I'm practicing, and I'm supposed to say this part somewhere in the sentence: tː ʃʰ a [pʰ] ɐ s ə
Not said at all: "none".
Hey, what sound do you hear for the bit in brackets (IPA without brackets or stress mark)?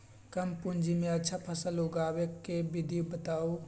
pʰ